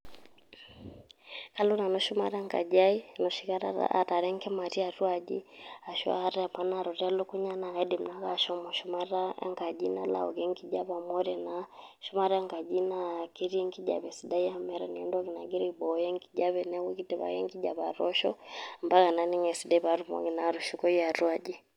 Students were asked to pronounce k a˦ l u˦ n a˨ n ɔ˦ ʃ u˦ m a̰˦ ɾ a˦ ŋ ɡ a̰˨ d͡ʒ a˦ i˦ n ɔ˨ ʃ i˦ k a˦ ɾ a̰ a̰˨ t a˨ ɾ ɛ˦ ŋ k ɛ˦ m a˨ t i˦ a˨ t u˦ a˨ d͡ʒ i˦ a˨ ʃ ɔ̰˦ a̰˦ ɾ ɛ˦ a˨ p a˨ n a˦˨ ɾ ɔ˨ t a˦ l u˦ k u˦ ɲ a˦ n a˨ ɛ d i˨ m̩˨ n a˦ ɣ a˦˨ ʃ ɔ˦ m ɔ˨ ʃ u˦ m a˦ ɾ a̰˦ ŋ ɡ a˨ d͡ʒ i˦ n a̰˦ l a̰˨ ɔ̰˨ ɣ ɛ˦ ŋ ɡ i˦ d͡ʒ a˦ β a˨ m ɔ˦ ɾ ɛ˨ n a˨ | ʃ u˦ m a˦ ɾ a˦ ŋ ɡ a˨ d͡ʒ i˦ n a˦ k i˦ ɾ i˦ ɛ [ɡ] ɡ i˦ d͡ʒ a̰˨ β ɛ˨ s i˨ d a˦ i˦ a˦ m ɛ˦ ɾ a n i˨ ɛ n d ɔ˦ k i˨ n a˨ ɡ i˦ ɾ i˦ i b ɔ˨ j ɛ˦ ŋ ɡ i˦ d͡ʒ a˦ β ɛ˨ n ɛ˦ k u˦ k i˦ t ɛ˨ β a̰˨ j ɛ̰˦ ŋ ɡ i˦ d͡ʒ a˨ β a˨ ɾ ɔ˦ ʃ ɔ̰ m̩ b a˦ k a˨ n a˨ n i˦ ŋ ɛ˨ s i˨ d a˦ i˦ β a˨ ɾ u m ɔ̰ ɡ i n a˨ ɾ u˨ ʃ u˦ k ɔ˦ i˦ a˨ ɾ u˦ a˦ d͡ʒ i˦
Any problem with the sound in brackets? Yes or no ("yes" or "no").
yes